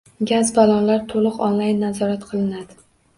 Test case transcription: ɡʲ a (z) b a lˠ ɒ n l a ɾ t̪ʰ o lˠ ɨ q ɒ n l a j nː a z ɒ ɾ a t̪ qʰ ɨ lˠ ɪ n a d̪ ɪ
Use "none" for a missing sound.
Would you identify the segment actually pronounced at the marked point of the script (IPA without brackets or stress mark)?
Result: z